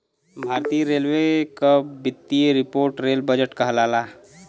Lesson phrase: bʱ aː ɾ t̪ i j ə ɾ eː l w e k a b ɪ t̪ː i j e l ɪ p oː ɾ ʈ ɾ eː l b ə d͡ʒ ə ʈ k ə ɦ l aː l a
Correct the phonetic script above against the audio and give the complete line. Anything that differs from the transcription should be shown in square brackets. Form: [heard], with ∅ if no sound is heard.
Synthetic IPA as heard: bʱ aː ɾ t̪ i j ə ɾ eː l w e k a b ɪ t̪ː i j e [ɾ] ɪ p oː ɾ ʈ ɾ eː l b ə d͡ʒ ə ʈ k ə ɦ l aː l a